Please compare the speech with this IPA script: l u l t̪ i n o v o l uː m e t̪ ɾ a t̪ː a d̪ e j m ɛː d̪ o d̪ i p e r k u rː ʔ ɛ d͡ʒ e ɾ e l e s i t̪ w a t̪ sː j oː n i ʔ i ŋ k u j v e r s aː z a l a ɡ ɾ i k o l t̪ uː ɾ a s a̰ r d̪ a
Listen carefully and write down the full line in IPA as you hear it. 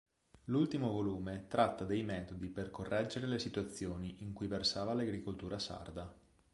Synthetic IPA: l u l t̪ i m o v o l uː m e t̪ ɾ a t̪ː a d̪ e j m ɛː t̪ o d̪ i p e r k o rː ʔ ɛ d͡ʒ e ɾ e l e s i t̪ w a t̪ sː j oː n i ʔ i ŋ k u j v e r s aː v a l a ɡ ɾ i k o l t̪ uː ɾ a s a̰ r d̪ a